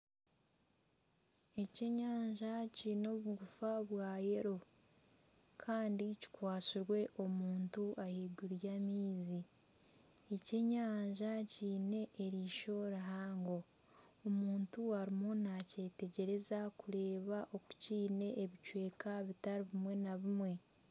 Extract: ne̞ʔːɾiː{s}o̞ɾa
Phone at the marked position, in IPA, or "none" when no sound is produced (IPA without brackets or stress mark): ʃ